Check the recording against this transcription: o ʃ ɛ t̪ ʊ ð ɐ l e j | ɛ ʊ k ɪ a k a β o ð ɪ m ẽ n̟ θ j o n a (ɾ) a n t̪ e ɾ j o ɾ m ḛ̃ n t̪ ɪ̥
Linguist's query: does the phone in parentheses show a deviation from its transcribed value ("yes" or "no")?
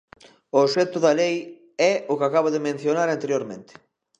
no